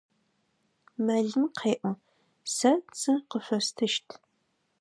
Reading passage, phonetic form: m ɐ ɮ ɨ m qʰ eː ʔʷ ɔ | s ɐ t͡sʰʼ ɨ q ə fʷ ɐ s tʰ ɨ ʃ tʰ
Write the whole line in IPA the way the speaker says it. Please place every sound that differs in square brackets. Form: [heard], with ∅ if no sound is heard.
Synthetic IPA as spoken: m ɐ ɮ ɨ m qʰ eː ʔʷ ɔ | s ɐ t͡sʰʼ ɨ q ə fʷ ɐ s tʰ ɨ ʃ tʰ